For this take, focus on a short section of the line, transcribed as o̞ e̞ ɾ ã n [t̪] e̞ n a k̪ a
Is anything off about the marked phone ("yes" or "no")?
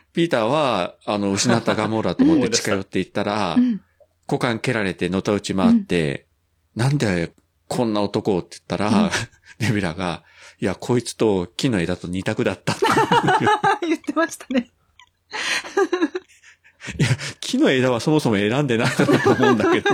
yes